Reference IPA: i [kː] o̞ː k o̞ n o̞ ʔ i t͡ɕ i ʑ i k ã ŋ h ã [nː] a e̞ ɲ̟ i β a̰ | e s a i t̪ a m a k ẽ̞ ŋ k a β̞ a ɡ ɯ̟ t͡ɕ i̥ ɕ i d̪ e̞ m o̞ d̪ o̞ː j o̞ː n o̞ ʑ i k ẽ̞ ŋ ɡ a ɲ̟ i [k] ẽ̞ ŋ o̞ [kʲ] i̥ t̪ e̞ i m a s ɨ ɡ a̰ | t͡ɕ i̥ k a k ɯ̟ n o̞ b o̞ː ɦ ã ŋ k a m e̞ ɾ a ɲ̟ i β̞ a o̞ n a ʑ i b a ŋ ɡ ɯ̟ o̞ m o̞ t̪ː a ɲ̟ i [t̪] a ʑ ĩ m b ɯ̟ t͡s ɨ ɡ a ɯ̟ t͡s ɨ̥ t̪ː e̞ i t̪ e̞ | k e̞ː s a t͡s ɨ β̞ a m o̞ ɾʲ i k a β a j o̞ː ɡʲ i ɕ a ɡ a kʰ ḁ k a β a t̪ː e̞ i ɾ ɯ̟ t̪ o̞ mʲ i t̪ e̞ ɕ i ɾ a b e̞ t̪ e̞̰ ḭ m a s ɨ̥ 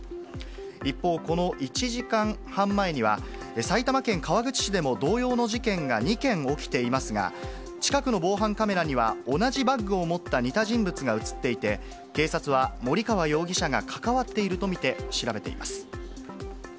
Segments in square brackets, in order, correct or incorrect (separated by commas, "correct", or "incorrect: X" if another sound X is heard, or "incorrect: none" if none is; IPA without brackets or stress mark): incorrect: pː, incorrect: mː, correct, correct, correct